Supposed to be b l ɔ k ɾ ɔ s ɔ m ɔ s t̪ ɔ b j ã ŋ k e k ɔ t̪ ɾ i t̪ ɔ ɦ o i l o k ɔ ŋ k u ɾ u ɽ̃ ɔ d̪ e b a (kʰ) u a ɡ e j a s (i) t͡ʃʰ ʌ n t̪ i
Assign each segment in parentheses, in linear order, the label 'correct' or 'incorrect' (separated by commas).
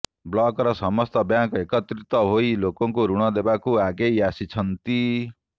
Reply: incorrect, correct